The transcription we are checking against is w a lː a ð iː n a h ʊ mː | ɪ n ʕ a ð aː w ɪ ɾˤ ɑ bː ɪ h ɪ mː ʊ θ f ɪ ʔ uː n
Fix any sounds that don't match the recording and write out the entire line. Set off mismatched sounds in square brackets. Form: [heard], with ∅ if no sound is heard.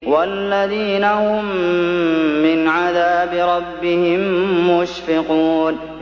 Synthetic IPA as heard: w a lː a ð iː n a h ʊ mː | ɪ n ʕ a ð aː [b] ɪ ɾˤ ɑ bː ɪ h ɪ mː ʊ [ʃ] f ɪ [q] uː n